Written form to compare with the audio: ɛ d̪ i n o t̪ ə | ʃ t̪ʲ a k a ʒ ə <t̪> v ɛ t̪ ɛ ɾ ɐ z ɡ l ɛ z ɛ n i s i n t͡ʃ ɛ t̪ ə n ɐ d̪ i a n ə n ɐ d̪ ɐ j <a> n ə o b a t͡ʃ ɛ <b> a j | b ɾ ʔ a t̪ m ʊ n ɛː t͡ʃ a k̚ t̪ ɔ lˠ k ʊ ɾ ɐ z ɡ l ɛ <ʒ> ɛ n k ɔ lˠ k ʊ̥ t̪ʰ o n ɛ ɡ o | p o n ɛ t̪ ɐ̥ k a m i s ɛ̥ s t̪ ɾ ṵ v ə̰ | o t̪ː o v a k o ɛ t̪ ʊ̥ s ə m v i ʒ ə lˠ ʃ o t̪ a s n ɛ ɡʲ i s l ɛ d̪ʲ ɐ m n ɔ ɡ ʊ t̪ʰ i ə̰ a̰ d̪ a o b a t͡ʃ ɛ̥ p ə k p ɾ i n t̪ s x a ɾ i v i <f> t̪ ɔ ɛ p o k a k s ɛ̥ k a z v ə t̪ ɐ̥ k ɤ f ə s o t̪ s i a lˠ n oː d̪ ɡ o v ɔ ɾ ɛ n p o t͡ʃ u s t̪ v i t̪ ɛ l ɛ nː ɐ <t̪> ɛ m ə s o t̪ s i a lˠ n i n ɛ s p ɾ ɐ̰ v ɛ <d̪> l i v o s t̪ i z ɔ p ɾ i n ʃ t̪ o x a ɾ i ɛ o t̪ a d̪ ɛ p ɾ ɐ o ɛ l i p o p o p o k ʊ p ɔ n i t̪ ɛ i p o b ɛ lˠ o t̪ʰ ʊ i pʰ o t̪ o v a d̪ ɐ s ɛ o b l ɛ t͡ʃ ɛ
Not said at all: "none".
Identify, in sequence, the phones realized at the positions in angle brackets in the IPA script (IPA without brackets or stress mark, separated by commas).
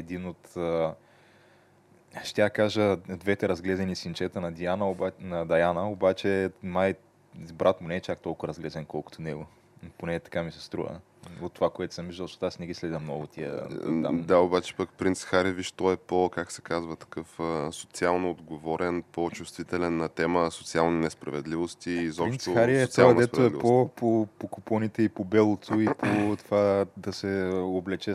d̪, a, m, z, ʃ, t̪, d̪